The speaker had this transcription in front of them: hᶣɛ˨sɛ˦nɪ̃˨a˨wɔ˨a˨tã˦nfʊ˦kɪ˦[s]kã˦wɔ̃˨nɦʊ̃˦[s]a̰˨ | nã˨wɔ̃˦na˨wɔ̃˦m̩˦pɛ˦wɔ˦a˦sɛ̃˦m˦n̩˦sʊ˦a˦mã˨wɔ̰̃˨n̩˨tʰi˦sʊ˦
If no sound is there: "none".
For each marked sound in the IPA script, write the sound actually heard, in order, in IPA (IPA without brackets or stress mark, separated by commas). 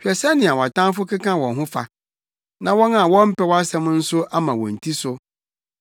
none, f